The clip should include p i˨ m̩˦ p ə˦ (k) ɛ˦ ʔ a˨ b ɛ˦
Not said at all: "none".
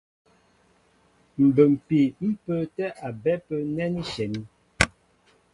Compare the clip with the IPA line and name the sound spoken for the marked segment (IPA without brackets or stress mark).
t